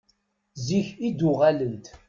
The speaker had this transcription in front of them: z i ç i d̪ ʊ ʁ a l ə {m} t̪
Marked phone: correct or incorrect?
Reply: incorrect: n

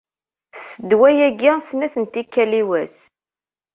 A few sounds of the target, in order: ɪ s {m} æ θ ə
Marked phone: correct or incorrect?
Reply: incorrect: n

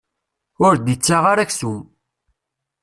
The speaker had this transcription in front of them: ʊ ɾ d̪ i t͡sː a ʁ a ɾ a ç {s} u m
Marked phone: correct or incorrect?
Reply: correct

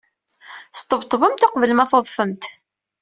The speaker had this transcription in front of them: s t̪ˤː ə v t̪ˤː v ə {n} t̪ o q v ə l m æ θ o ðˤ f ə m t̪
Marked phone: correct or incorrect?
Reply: incorrect: m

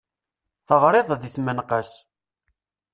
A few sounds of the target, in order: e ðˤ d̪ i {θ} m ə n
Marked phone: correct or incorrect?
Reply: correct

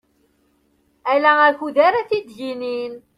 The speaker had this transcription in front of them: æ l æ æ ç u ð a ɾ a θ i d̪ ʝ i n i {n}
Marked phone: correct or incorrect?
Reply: correct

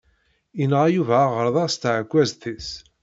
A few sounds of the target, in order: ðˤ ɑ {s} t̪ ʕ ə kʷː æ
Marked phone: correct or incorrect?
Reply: correct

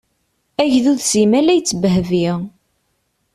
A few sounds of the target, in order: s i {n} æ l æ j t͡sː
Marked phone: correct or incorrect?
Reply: incorrect: m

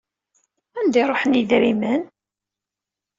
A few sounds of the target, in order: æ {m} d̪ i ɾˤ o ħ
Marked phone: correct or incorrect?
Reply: incorrect: n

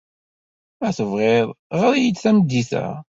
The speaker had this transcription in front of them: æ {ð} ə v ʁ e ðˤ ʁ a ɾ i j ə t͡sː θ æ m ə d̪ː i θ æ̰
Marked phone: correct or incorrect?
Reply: incorrect: θ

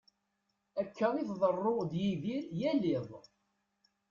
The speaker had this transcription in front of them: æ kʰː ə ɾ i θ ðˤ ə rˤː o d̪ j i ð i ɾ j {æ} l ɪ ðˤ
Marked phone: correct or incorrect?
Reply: correct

